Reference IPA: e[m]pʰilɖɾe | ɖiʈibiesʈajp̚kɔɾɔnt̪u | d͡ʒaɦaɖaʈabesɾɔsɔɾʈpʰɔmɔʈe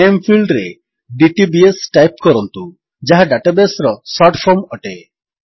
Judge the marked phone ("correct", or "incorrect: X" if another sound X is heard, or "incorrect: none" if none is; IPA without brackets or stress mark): correct